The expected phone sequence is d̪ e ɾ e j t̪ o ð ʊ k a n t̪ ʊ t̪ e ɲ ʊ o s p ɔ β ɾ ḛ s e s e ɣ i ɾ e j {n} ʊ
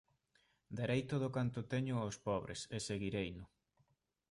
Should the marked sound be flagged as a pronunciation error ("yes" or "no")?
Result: no